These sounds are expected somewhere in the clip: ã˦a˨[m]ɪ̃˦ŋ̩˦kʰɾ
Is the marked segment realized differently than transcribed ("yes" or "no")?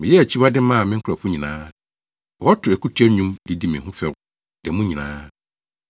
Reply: no